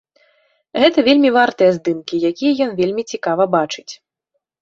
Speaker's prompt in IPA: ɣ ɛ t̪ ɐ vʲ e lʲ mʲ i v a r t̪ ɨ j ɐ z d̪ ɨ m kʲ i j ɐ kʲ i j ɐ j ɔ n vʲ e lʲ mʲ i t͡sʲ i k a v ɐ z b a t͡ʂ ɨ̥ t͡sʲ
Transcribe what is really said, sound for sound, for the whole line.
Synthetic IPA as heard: ɣ ɛ t̪ ɐ vʲ e lʲ mʲ i v a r t̪ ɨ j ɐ z d̪ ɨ m kʲ i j a kʲ i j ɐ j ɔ n vʲ e lʲ mʲ i t͡sʲ i k a v ɐ b a t͡ʂ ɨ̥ t͡sʲ